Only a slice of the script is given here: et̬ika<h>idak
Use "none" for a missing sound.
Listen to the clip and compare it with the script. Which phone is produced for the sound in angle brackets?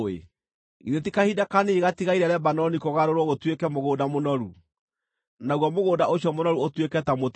h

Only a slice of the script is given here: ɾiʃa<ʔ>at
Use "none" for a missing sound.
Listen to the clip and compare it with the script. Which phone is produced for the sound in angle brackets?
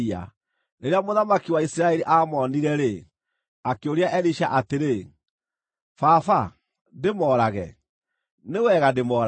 ʔ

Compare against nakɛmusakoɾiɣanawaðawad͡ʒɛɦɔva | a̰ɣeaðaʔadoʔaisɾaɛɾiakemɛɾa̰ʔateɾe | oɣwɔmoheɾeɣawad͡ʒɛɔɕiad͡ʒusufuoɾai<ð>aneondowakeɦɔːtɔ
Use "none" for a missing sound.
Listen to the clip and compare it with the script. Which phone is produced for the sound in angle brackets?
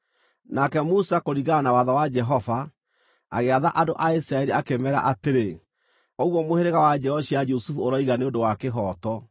ɣ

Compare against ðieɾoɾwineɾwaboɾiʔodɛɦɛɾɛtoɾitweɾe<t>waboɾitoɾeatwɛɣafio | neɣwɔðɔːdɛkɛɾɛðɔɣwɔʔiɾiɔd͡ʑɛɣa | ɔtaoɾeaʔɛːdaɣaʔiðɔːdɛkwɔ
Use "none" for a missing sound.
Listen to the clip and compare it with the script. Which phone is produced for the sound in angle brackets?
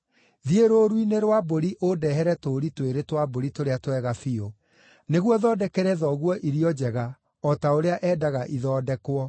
t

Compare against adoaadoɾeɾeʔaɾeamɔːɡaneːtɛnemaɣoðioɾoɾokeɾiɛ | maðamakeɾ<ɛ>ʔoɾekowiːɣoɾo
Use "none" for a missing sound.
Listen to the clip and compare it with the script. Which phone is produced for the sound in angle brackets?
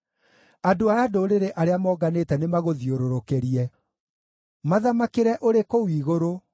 ɛ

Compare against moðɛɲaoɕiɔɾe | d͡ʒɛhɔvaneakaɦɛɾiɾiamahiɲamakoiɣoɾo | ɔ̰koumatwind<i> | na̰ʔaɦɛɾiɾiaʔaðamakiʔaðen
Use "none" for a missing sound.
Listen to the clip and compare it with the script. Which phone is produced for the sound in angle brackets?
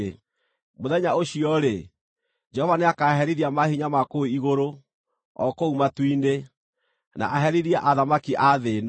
e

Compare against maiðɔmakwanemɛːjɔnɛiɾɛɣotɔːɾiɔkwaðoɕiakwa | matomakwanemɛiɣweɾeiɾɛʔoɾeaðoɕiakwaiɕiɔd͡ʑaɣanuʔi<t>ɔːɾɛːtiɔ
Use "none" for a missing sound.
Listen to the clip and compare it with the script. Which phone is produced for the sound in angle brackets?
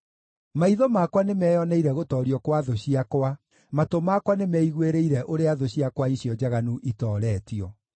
t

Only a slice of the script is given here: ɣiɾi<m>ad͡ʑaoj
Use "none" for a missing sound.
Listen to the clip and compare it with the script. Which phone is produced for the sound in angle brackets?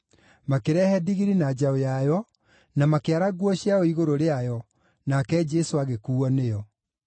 n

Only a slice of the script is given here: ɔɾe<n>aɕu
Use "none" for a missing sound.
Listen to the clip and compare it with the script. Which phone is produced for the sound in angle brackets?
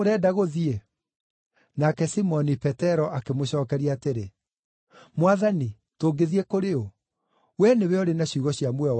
n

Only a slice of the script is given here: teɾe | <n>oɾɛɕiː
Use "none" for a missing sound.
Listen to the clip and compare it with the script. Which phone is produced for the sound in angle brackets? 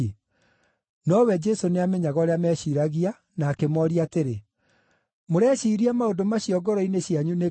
m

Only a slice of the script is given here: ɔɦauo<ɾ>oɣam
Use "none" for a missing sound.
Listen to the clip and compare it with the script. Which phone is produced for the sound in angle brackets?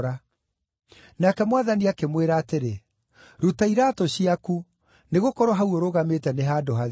ɾ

